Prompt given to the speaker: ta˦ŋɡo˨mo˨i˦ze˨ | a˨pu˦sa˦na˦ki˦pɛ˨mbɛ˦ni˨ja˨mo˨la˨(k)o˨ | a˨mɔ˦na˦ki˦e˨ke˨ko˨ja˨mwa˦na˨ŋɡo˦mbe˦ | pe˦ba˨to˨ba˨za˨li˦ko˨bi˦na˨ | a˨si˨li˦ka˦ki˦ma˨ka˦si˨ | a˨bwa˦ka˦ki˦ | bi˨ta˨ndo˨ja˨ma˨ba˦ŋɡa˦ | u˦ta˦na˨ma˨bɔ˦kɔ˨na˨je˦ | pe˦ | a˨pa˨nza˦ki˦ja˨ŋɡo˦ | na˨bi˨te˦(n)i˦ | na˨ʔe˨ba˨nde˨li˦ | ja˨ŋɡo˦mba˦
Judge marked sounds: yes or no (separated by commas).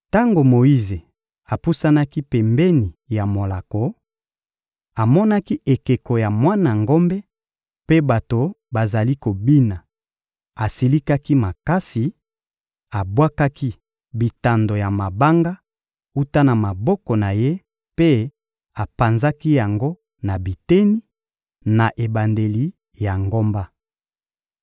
yes, yes